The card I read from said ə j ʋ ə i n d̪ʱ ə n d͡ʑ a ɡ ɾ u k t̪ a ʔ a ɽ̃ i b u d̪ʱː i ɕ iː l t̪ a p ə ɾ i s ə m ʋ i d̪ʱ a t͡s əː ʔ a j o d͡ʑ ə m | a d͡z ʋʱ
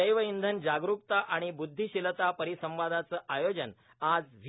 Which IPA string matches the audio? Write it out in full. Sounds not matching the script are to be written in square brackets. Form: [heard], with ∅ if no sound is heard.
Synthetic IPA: ə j ʋ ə i n d̪ʱ ə n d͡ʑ a ɡ ɾ u k t̪ a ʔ a ɽ̃ i b u d̪ʱː i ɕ [i] l t̪ a p ə ɾ i s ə m ʋ [a] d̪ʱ a t͡s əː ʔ a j o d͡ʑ ə [n] | a d͡z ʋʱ